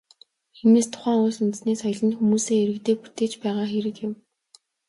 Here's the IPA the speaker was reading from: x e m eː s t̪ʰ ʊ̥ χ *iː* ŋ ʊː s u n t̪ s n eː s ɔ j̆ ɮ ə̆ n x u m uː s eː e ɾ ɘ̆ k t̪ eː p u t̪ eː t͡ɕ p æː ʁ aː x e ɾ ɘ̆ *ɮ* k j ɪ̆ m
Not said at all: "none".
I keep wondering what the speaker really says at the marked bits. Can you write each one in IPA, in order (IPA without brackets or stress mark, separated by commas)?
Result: æː, none